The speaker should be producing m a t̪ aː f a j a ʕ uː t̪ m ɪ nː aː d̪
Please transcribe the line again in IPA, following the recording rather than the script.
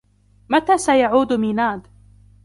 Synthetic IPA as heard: m a t̪ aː s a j a ʕ uː d̪ m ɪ n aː d̪